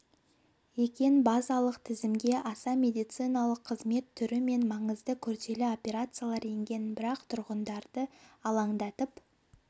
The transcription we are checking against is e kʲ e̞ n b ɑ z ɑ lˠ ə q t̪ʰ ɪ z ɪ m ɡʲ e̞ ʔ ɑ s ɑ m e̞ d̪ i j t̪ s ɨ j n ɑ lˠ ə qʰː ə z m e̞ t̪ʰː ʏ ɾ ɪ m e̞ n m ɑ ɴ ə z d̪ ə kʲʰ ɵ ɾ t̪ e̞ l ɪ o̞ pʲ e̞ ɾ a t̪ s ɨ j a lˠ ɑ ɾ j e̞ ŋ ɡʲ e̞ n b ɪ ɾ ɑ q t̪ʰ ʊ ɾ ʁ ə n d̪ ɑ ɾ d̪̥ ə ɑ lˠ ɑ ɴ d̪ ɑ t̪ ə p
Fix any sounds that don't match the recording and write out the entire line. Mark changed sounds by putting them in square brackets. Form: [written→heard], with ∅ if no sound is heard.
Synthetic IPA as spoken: e kʲ e̞ n b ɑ z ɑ lˠ ə q t̪ʰ ɪ z ɪ m ɡʲ e̞ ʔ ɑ s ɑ m e̞ d̪ i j t̪ s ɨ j n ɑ lˠ ə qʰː ə z m e̞ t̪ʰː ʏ ɾ ɪ m e̞ n m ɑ ɴ ə z d̪ ə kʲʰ ɵ ɾ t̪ e̞ l ɪ o̞ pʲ e̞ ɾ a t̪ s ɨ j a lˠ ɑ ɾ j e̞ ŋ ɡʲ e̞ n b ɪ ɾ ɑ q t̪ʰ ʊ ɾ ʁ ə n d̪ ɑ ɾ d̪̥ ə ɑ lˠ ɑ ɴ d̪ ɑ t̪ ə p